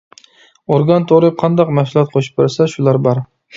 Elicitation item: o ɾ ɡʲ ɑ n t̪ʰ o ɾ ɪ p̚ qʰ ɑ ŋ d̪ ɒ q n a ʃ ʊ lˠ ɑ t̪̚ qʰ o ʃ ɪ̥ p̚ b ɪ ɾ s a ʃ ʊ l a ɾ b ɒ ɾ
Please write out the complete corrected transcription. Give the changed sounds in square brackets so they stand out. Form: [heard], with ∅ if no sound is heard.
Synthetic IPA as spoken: o ɾ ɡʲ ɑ n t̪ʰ o ɾ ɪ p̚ qʰ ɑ [n] d̪ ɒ q [m] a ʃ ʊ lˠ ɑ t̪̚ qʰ o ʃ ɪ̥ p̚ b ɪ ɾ s a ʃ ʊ l a ɾ b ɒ ɾ